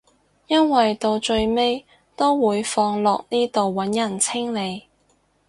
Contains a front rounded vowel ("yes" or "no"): no